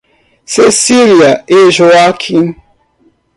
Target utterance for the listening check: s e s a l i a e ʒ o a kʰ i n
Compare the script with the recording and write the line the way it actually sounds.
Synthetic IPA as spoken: s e s i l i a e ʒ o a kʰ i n